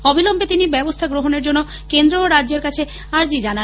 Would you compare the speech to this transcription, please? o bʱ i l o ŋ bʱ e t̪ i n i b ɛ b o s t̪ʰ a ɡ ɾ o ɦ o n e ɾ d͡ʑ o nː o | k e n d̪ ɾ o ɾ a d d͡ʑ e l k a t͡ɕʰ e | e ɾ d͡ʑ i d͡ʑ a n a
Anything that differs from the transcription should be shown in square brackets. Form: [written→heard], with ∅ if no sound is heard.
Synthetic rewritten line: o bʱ i l o [ŋ→m] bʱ e t̪ i n i b ɛ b o s t̪ʰ a ɡ ɾ o ɦ o n e ɾ d͡ʑ o nː o | k e n d̪ ɾ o ɾ a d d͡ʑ e [l→ɾ] k a t͡ɕʰ e | [e→a] ɾ d͡ʑ i d͡ʑ a n a

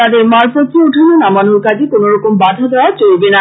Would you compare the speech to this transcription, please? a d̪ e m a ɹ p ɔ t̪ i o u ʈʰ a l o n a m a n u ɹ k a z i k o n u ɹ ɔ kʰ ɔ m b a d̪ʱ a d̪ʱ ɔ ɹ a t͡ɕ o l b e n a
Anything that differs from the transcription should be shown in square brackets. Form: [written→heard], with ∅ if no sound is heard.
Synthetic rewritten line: a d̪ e m a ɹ p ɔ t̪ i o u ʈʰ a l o n a m a n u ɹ k a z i k o n [u→o] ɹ ɔ [kʰ→k] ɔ m b a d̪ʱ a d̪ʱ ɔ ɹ a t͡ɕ o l b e n a

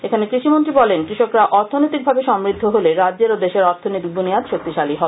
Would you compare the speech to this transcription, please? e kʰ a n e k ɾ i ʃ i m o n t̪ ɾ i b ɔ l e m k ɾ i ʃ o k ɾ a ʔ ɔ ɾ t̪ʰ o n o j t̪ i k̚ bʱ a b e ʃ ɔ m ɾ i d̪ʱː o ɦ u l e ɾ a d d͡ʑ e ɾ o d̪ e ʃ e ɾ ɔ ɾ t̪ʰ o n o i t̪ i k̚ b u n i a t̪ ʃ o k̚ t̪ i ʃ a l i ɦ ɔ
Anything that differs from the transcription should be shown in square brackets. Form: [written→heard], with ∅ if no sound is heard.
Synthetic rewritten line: e kʰ a n e k ɾ i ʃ i m o n t̪ ɾ i b ɔ l e [m→n] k ɾ i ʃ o k ɾ a ʔ ɔ ɾ t̪ʰ o n o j t̪ i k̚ bʱ a b e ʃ ɔ m ɾ i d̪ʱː o ɦ [u→o] l e ɾ a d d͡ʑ e ɾ o d̪ e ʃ e ɾ ɔ ɾ t̪ʰ o n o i t̪ i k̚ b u n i a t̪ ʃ o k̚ t̪ i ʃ a l i ɦ ɔ

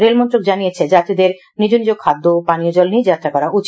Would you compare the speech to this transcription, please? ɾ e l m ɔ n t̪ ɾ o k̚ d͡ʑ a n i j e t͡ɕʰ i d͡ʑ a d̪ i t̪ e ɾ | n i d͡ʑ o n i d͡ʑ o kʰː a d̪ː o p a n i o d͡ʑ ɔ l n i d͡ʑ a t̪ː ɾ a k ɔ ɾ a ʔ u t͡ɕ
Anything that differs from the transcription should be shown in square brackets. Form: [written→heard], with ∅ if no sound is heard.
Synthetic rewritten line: ɾ e l m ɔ n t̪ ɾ o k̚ d͡ʑ a n i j e t͡ɕʰ [i→e] d͡ʑ a [d̪→t̪] i [t̪→d̪] e ɾ | n i d͡ʑ o n i d͡ʑ o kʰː a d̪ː o p a n i o d͡ʑ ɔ l n i d͡ʑ a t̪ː ɾ a k ɔ ɾ a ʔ u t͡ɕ

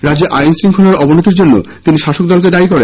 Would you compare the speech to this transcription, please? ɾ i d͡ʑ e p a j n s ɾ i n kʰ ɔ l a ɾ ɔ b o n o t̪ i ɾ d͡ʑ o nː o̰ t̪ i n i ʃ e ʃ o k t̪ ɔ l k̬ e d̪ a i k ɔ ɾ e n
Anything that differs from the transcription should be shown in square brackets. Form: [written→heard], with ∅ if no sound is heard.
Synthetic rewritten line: ɾ [i→a] d͡ʑ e [p→ʔ] a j n s ɾ i [n→ŋ] kʰ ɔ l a ɾ ɔ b o n o t̪ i ɾ d͡ʑ o nː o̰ t̪ i n i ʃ [e→a] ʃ o k [t̪→d̪] ɔ l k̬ e d̪ a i k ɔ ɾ e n

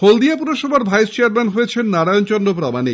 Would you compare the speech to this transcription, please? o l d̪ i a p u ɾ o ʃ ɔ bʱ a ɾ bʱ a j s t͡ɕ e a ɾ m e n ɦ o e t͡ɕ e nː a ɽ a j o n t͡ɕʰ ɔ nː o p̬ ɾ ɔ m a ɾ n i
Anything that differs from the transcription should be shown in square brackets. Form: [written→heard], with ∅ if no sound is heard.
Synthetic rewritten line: o l d̪ i a p u ɾ o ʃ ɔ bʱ a ɾ bʱ a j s t͡ɕ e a ɾ m e n ɦ o e [t͡ɕ→t͡ɕʰ] e nː a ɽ a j o n [t͡ɕʰ→t͡ɕ] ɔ nː o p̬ ɾ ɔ m a [ɾ→∅] n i

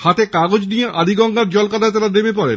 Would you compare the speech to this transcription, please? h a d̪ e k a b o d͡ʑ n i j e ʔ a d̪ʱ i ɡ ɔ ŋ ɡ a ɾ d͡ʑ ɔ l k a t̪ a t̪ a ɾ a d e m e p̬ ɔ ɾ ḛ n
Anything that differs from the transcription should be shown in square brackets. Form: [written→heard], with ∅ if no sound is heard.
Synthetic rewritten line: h a [d̪→t̪] e k a [b→ɡ] o d͡ʑ n i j e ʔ a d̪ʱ i ɡ ɔ ŋ ɡ a ɾ d͡ʑ ɔ l k a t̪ a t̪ a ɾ a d e m e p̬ ɔ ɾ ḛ n

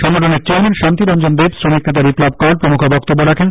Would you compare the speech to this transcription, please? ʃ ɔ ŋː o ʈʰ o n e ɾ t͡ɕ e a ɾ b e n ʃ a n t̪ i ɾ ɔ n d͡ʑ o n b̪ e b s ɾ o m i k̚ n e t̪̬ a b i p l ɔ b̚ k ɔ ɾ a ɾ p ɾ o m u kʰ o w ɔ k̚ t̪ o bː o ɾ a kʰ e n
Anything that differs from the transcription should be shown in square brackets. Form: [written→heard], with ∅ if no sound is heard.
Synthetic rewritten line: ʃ ɔ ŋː o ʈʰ o n e ɾ t͡ɕ e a ɾ [b→m] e n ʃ a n t̪ i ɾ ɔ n d͡ʑ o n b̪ e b s ɾ o m i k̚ n e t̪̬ a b i p l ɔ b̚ k ɔ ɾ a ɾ p ɾ o m u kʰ o [w→b] ɔ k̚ t̪ o bː o ɾ a kʰ e n

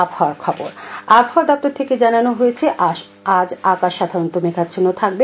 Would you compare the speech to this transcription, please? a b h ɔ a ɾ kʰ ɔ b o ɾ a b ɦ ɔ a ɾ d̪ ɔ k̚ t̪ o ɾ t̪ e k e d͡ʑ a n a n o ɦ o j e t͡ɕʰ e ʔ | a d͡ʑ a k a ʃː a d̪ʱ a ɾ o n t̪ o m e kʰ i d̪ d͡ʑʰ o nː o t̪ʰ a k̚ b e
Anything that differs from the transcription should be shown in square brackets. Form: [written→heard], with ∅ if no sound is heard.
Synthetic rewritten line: a b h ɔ a ɾ kʰ ɔ b o ɾ a b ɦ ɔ a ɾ d̪ ɔ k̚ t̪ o ɾ [t̪→t̪ʰ] e k e d͡ʑ a n a n o ɦ o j e t͡ɕʰ e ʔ | a d͡ʑ a k a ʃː a d̪ʱ a ɾ o n t̪ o m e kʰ [i→a] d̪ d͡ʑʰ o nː o t̪ʰ a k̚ b e

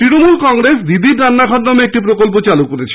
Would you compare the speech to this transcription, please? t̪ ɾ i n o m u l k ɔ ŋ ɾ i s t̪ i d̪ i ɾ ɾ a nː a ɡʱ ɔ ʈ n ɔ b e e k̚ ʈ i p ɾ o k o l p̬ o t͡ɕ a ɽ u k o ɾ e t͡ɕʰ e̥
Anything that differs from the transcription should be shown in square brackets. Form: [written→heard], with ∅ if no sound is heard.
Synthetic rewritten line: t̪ ɾ i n o m u l k ɔ ŋ ɾ [i→e] s [t̪→d̪] i d̪ i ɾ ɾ a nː a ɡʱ ɔ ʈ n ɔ [b→m] e e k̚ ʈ i p ɾ o k o l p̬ o t͡ɕ a [ɽ→l] u k o ɾ e t͡ɕʰ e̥

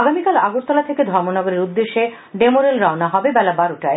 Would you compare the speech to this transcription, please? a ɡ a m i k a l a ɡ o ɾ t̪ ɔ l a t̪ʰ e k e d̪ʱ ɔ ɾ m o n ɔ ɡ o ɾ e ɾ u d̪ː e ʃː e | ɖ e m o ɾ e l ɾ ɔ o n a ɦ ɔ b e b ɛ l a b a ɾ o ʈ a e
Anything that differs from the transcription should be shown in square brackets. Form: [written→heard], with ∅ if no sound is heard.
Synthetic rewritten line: a ɡ a m i k a l a ɡ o ɾ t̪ ɔ l a t̪ʰ e k e d̪ʱ ɔ ɾ m o n ɔ ɡ o ɾ e ɾ u d̪ː e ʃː e | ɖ e m o ɾ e l ɾ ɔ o n a ɦ ɔ b e b ɛ l a b a ɾ o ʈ a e

